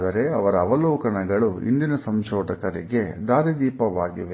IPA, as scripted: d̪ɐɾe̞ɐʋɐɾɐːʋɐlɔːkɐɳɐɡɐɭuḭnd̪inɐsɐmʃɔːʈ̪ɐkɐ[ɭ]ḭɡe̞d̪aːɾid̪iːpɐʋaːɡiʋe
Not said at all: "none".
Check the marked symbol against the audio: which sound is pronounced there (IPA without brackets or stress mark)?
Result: ɾ